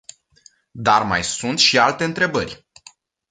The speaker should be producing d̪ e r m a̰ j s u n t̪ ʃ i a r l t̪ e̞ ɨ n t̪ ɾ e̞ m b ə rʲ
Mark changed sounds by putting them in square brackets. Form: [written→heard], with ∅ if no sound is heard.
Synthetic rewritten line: d̪ [e→a] r m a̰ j s u n t̪ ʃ i a [r→∅] l t̪ e̞ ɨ n t̪ ɾ e̞ [m→∅] b ə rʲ